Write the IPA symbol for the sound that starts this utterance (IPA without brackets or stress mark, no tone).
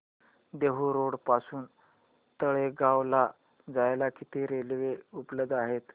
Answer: d̪